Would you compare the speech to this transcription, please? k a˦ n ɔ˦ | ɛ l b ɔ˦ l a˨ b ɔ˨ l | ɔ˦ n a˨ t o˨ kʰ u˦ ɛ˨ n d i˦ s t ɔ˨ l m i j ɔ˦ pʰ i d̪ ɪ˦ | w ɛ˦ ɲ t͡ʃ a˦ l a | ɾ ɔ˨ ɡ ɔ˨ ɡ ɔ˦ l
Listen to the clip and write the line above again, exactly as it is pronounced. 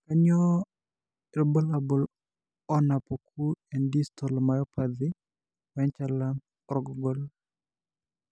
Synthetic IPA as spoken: k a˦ ɲ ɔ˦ | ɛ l b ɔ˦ l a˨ b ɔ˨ l | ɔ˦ n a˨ p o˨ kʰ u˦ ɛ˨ n d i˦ s t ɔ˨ l m a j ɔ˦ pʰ a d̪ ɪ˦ | w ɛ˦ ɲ t͡ʃ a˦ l a | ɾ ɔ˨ ɡ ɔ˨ ɡ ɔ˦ l